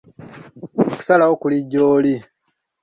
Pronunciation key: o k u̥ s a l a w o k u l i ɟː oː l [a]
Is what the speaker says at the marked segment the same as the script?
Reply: no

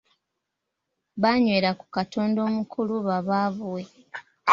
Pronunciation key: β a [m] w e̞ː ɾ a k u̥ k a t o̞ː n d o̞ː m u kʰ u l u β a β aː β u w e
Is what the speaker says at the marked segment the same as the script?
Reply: no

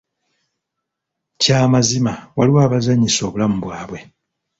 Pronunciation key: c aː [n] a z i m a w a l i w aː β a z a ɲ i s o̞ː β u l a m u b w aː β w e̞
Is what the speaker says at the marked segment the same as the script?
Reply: no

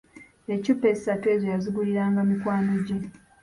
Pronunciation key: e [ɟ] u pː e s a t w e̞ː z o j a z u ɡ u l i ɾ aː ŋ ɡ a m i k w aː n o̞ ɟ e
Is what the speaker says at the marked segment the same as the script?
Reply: no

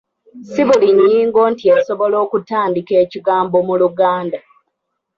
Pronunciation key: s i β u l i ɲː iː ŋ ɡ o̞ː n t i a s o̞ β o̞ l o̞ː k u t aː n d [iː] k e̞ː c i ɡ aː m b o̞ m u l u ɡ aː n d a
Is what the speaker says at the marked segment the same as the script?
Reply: no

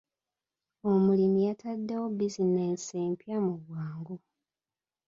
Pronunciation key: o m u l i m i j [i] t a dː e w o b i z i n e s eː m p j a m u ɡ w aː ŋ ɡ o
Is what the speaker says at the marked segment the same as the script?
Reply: no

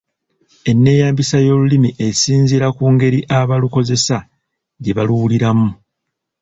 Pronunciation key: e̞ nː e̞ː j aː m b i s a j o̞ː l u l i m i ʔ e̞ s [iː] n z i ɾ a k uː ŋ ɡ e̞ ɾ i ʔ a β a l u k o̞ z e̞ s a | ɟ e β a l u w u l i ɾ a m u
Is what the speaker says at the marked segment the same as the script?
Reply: yes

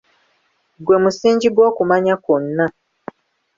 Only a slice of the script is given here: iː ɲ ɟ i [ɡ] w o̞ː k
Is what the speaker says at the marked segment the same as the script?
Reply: yes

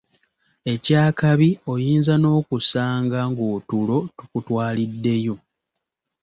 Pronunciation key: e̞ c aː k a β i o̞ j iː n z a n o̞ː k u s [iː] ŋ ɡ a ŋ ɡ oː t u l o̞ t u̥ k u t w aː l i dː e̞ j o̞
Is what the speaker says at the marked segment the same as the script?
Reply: no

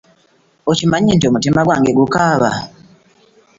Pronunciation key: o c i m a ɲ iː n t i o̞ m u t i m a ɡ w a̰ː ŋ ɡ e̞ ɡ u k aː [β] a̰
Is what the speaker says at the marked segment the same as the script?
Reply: yes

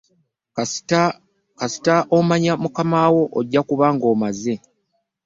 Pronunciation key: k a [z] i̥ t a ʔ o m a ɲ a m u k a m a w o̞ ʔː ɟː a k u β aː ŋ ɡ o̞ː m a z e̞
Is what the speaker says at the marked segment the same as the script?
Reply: no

